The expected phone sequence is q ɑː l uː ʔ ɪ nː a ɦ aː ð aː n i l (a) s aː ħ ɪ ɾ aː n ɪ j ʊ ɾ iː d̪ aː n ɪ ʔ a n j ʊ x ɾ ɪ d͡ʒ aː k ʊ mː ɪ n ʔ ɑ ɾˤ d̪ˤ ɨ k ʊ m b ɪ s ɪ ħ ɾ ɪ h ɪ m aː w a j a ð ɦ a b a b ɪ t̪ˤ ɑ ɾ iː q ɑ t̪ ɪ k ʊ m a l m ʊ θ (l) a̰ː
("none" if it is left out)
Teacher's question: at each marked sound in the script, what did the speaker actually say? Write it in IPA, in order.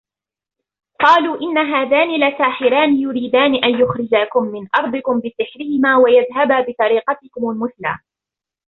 a, l

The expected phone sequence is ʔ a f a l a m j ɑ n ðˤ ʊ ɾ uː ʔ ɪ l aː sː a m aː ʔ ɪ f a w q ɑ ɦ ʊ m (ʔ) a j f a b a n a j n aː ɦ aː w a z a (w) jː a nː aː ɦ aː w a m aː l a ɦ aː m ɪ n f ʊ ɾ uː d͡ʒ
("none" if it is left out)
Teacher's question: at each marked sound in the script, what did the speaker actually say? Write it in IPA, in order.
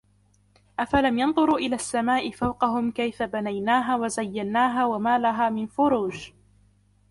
k, none

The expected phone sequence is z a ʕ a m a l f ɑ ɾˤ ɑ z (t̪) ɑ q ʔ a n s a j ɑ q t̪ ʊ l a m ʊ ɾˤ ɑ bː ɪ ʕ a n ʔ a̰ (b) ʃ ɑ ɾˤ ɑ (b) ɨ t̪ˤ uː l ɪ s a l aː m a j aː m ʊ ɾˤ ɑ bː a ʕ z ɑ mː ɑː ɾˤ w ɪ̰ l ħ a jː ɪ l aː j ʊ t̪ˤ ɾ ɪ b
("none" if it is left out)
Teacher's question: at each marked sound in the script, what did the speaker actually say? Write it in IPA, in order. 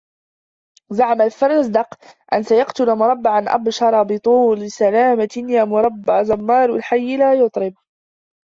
d̪, b, b

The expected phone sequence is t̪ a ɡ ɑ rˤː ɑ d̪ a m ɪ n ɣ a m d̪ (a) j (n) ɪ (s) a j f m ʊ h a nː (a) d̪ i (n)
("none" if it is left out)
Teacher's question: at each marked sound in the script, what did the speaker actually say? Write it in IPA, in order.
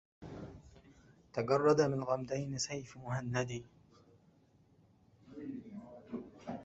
a, n, s, a, none

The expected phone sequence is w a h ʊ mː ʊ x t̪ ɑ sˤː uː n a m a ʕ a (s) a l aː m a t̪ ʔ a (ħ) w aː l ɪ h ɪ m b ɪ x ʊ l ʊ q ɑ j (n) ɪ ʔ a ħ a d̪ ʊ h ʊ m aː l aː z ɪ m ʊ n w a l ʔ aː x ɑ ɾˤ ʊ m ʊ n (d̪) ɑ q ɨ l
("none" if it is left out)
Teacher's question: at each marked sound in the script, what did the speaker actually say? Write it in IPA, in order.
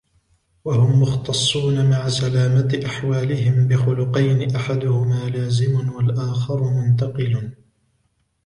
s, ħ, n, t̪

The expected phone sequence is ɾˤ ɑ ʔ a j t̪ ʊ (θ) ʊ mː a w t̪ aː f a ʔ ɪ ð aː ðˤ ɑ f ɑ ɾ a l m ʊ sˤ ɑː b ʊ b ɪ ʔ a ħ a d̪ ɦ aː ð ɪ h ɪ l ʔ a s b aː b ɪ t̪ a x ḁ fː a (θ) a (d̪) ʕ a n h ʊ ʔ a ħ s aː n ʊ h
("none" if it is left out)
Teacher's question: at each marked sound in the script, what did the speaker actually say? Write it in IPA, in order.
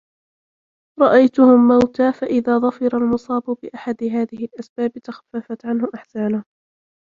h, f, t̪

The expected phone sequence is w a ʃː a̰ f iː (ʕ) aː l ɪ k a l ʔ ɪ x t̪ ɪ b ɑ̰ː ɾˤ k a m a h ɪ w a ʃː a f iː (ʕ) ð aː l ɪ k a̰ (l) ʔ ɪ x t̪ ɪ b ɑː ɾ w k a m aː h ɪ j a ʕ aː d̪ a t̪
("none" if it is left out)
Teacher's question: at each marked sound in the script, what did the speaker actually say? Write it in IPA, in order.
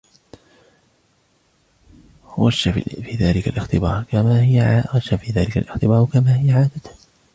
ð, none, l

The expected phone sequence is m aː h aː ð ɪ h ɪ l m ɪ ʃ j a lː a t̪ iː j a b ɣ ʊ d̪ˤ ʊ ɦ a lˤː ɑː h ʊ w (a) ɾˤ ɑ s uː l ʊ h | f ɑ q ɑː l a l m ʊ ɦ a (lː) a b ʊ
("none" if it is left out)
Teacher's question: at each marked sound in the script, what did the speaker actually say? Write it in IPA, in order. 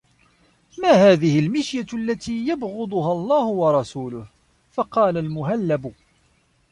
ɑ, lː

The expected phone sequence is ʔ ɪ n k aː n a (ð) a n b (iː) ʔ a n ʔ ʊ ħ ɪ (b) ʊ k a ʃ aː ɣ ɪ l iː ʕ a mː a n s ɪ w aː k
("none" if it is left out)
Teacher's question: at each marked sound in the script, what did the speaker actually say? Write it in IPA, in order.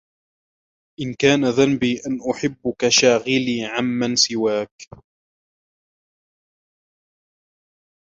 ð, iː, bː

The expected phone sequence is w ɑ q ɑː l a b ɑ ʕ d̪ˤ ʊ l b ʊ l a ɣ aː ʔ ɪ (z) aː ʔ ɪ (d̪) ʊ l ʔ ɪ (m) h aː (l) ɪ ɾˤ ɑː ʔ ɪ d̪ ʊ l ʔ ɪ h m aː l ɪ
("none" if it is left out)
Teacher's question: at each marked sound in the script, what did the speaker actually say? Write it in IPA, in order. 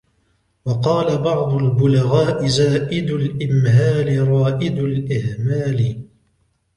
z, d̪, m, l

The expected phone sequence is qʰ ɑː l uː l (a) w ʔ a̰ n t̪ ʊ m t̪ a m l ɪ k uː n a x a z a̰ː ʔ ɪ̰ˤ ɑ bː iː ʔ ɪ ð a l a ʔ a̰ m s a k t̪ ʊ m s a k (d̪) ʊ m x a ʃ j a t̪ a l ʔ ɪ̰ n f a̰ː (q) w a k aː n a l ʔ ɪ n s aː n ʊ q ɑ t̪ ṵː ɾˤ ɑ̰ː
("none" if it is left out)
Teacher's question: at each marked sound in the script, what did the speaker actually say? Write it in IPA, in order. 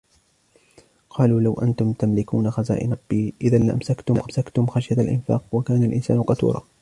a, t̪, q

